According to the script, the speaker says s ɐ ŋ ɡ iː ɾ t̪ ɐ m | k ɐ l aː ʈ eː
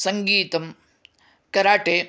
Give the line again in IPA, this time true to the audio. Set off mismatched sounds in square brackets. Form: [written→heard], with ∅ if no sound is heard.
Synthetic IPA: s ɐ ŋ ɡ iː [ɾ→∅] t̪ ɐ m | k ɐ [l→ɾ] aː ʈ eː

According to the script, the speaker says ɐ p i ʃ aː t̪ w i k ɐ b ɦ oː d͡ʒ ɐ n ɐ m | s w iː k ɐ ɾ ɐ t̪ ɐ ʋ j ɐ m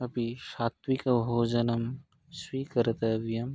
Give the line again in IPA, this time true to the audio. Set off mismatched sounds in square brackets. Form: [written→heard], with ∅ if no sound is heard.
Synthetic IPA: ɐ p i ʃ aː t̪ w i k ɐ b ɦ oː d͡ʒ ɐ n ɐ m | s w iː k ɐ ɾ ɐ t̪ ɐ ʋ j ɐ m

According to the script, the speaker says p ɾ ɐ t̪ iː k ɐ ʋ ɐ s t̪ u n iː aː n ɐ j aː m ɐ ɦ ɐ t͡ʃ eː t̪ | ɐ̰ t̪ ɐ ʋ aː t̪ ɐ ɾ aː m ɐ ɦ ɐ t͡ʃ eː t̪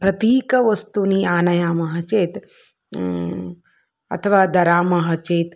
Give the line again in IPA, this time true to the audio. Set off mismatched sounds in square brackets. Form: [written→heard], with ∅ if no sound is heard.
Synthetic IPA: p ɾ ɐ t̪ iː k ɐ ʋ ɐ s t̪ u n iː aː n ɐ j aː m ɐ ɦ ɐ t͡ʃ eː t̪ | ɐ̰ [t̪→t̪ʰ] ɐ ʋ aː [t̪→d̪] ɐ ɾ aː m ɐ ɦ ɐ t͡ʃ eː t̪

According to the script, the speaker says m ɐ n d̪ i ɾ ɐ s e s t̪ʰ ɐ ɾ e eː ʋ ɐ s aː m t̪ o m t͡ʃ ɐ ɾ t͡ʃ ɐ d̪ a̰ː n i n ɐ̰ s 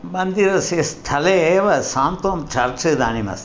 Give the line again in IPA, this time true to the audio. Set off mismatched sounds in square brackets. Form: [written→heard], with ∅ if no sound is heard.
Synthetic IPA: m ɐ n d̪ i ɾ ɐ s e s t̪ʰ ɐ [ɾ→l] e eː ʋ ɐ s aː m t̪ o m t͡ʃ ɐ ɾ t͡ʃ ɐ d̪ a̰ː n i [n→m] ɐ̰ s

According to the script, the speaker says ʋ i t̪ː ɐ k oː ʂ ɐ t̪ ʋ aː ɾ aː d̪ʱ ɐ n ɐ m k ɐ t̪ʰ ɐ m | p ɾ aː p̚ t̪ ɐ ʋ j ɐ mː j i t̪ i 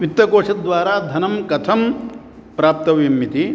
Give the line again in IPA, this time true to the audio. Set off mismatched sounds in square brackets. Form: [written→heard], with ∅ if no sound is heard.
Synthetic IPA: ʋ i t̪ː ɐ k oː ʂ ɐ [t̪→d̪] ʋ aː ɾ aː d̪ʱ ɐ n ɐ m k ɐ t̪ʰ ɐ m | p ɾ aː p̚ t̪ ɐ ʋ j ɐ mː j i t̪ i

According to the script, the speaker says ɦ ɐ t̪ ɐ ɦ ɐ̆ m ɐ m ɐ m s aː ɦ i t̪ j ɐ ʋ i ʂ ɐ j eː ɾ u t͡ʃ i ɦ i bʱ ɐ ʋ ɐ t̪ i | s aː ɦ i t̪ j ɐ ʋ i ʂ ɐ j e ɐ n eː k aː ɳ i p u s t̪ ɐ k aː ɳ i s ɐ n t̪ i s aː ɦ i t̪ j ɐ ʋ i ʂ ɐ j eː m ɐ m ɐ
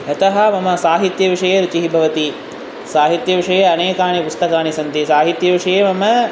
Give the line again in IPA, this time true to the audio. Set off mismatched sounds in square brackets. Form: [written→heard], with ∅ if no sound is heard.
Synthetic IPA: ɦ ɐ t̪ ɐ ɦ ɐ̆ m ɐ m ɐ [m→∅] s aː ɦ i t̪ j ɐ ʋ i ʂ ɐ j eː ɾ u t͡ʃ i ɦ i bʱ ɐ ʋ ɐ t̪ i | s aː ɦ i t̪ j ɐ ʋ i ʂ ɐ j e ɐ n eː k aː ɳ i p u s t̪ ɐ k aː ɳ i s ɐ n t̪ i s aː ɦ i t̪ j ɐ ʋ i ʂ ɐ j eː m ɐ m ɐ

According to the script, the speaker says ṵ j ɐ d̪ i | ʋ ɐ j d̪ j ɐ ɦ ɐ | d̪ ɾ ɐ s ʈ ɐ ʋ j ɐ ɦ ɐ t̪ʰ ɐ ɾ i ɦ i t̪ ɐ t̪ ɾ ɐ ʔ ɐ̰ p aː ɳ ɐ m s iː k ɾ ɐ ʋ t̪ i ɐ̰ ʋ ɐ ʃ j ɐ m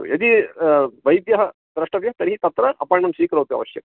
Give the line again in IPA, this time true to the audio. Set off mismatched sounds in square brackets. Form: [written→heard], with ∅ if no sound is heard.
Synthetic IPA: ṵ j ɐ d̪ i | ʋ ɐ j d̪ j ɐ ɦ ɐ | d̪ ɾ ɐ [s→ʂ] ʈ ɐ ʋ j ɐ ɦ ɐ [t̪ʰ→t̪] ɐ ɾ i ɦ i t̪ ɐ t̪ ɾ ɐ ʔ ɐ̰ p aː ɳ ɐ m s iː k ɾ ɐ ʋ t̪ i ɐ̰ ʋ ɐ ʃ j ɐ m

